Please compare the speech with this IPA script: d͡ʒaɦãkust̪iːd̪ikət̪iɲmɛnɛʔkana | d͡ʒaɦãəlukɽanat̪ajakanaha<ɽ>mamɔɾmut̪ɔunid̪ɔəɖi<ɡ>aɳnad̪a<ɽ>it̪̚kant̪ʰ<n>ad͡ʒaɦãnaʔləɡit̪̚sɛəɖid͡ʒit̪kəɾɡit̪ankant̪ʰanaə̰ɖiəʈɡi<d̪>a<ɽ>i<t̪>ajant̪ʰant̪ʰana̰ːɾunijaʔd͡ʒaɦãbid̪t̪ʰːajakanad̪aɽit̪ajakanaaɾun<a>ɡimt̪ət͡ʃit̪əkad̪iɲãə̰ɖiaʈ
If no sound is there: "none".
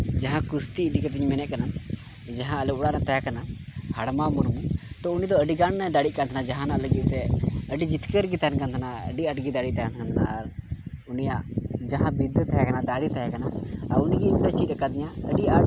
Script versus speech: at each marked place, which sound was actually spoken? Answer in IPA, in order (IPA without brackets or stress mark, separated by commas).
ɽ, ɡ, ɽ, n, d̪, ɽ, t̪, i